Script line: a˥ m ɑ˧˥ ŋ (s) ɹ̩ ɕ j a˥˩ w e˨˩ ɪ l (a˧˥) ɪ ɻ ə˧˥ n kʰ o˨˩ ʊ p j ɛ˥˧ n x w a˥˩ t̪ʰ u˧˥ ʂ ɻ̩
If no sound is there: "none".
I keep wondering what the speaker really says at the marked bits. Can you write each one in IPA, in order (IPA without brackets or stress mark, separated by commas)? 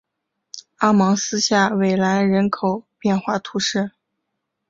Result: s, a˧˥